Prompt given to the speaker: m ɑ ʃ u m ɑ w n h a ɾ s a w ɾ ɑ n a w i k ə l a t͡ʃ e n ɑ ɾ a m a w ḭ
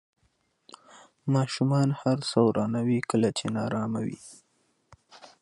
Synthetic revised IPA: m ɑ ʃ u m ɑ n h a ɾ s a w ɾ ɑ n a w i k ə l a t͡ʃ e n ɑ ɾ ɑ m a w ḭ